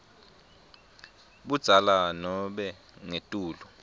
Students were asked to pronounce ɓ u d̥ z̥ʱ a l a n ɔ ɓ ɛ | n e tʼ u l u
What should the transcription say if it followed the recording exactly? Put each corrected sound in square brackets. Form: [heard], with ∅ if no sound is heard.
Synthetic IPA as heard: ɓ u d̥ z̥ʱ a l a n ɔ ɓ ɛ | [ŋ] e tʼ [uː] l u